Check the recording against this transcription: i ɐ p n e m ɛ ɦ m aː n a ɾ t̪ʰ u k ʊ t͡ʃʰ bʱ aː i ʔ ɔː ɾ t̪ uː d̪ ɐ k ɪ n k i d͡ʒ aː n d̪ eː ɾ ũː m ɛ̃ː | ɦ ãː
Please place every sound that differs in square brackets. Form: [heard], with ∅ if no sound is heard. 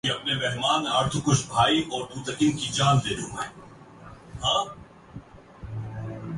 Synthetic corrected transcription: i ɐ p n e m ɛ ɦ m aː n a ɾ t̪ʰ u k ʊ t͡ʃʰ bʱ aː i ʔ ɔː ɾ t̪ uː [t̪] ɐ k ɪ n k i d͡ʒ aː n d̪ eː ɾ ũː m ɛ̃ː | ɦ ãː